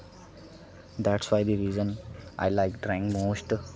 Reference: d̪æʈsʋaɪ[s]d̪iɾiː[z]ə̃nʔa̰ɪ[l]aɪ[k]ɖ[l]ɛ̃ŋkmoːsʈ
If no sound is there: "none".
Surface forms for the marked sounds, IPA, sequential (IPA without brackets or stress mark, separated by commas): none, z, l, k, ɾ